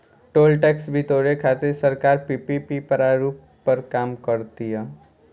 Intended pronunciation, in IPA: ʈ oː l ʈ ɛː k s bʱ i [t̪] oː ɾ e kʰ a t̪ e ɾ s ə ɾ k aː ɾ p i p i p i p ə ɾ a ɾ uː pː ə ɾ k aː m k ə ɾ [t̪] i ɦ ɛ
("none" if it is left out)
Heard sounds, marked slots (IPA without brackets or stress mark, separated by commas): t̪, t̪